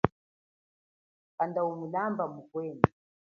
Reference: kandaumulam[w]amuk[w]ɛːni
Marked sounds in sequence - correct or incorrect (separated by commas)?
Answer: incorrect, correct